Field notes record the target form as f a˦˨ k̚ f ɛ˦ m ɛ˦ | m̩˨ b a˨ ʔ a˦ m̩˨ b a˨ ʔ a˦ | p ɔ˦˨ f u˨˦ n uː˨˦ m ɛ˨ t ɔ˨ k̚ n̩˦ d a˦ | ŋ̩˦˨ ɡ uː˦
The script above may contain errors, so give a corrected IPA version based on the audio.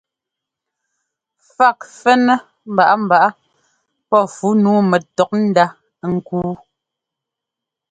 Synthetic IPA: f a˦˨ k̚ f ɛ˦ n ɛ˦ | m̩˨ b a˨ ʔ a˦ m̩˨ b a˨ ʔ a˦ | p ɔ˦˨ f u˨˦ n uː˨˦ m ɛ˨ t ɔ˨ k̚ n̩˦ d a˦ | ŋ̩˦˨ k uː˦